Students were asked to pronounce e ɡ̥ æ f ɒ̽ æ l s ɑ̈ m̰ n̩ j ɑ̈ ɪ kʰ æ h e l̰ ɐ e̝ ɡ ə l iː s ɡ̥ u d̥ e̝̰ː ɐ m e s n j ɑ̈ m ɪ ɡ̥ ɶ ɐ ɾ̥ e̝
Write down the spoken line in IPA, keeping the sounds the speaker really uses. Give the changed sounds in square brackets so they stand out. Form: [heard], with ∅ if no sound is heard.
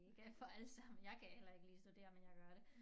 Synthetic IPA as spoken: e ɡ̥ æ f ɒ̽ æ l s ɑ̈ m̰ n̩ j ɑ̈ ɪ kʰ æ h e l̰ ɐ e̝ ɡ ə l iː s [d̥] u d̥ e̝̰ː ɐ m e [∅] n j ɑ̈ [∅] ɪ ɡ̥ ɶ ɐ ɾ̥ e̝